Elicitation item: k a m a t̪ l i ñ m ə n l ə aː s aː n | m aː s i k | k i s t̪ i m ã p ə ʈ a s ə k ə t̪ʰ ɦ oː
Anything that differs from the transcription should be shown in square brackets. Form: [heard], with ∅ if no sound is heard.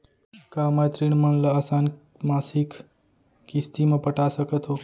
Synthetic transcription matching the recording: k a m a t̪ [ɾ] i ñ m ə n l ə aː s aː n | m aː s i k | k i s t̪ i m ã p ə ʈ a s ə k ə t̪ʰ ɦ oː